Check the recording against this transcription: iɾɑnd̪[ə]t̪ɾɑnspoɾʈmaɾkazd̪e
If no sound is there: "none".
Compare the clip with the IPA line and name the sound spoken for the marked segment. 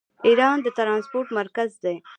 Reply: ə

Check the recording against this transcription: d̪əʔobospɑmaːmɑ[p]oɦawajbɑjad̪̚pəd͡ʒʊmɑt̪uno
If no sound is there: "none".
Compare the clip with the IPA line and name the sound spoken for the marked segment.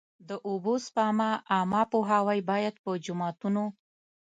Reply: p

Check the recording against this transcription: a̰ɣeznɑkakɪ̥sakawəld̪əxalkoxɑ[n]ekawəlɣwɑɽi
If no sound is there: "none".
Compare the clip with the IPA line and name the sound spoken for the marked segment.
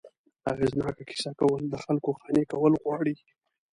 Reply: n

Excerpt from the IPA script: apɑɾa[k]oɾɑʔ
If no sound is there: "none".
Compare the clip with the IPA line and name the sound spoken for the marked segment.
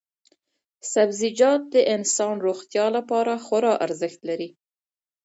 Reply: x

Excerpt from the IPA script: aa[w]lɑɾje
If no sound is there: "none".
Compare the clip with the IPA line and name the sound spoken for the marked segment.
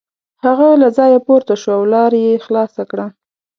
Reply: w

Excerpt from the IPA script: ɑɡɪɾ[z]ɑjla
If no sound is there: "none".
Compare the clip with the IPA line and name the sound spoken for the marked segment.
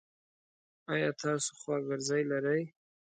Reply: z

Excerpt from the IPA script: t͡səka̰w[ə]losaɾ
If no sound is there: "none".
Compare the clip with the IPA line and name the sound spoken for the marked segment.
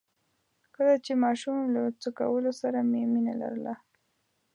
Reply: ə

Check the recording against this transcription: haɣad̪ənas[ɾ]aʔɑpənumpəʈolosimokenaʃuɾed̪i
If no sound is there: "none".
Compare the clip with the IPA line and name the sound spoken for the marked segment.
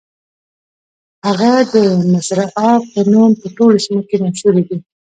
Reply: ɾ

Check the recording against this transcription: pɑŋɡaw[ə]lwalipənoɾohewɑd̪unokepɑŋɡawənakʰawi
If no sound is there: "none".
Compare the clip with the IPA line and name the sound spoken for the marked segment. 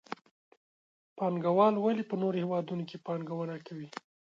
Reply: ɑ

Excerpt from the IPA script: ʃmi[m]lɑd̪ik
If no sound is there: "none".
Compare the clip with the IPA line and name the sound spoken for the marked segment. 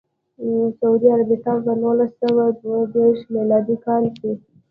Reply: none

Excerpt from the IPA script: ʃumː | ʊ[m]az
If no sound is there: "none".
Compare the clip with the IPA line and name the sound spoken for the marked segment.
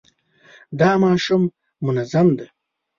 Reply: n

